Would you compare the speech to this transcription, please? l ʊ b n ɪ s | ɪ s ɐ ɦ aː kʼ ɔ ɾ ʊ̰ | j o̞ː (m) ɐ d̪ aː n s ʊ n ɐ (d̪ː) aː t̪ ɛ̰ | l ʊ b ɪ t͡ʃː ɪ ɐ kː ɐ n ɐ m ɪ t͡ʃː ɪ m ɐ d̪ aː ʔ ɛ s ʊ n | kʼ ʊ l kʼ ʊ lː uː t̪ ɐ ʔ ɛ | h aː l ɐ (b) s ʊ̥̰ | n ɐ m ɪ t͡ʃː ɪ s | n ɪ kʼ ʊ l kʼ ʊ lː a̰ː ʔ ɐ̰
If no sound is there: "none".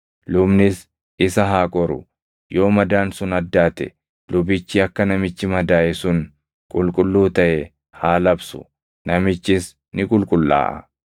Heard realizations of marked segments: m, d̪ː, b

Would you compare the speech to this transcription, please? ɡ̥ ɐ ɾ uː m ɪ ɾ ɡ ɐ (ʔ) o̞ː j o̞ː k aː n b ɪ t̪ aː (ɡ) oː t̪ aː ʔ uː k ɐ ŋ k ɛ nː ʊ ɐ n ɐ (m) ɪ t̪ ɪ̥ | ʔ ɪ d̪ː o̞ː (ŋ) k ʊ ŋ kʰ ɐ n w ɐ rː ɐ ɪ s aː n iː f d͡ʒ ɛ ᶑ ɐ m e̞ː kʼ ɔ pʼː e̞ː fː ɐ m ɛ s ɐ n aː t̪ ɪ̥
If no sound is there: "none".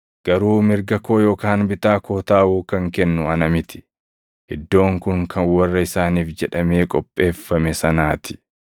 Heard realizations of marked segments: k, k, m, ŋ

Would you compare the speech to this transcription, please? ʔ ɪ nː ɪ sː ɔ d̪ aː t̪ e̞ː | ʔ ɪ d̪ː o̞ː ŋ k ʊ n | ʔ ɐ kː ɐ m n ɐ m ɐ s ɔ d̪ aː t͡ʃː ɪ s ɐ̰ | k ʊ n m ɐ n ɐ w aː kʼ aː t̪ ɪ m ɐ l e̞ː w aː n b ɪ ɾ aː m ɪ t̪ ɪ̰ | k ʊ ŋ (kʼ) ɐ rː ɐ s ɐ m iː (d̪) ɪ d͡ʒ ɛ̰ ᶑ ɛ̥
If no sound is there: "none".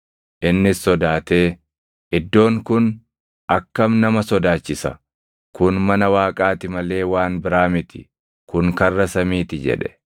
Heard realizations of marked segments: k, t̪

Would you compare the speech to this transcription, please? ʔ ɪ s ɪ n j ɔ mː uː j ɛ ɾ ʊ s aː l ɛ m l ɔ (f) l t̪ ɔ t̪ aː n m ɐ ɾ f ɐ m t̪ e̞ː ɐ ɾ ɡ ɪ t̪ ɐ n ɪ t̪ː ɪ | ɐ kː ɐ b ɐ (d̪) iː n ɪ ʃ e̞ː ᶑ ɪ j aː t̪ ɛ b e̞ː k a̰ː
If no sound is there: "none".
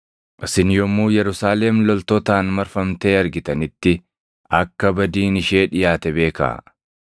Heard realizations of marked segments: none, d̪

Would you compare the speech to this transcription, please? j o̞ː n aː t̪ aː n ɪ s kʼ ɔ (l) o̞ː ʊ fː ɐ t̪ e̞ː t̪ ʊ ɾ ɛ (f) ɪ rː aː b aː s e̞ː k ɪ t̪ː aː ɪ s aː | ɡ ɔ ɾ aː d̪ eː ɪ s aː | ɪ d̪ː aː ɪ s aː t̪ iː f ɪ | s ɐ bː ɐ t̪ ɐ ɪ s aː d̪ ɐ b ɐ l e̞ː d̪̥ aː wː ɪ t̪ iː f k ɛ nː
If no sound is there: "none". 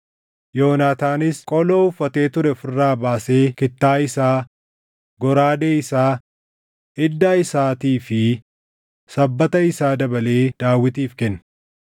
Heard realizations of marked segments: l, f

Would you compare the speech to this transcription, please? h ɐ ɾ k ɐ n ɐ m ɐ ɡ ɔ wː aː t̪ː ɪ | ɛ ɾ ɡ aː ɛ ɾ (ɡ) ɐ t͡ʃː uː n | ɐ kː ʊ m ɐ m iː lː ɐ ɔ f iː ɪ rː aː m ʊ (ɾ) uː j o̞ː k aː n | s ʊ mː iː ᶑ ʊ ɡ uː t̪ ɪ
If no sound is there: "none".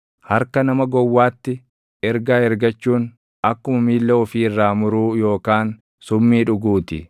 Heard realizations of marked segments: ɡ, ɾ

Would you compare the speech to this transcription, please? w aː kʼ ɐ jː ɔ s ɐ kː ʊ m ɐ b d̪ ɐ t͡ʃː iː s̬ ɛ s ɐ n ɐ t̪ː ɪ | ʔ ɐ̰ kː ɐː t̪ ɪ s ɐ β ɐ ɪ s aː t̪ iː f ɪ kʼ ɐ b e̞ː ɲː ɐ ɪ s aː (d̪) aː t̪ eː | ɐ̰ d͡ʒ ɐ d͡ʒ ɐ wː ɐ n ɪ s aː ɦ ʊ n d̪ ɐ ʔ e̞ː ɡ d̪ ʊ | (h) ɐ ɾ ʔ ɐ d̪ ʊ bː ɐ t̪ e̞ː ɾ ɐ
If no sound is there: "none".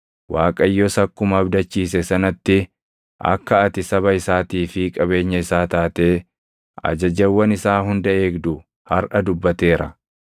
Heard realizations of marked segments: t̪, h

